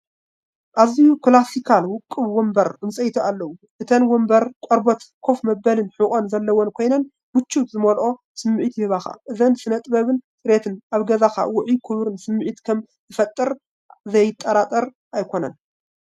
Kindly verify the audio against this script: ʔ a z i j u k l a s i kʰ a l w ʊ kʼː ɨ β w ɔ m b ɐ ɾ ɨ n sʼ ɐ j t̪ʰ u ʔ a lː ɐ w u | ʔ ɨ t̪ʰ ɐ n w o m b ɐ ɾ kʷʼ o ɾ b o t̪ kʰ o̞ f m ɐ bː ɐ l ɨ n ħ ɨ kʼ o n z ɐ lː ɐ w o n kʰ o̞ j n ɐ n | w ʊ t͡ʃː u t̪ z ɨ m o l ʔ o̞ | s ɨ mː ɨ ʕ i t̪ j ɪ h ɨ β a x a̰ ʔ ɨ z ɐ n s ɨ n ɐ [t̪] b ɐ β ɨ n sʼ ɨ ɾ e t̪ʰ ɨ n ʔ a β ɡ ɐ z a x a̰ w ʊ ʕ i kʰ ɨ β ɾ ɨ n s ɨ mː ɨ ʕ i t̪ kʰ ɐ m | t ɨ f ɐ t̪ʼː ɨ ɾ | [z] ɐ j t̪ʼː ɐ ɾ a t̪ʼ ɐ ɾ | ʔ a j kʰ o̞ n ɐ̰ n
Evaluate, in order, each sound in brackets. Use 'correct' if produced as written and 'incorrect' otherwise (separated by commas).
incorrect, correct